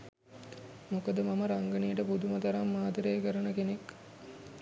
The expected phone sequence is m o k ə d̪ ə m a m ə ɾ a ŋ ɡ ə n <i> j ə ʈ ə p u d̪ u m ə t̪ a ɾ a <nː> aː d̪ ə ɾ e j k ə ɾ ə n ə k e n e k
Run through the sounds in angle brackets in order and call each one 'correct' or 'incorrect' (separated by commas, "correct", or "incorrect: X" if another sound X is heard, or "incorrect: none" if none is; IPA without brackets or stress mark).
correct, incorrect: mː